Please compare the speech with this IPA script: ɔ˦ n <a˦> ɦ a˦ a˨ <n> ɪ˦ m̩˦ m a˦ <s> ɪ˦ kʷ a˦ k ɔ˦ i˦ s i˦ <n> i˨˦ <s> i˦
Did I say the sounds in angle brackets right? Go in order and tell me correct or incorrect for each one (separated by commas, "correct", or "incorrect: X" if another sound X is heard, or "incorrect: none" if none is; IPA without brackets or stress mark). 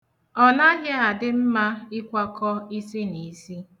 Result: correct, incorrect: d, incorrect: none, correct, correct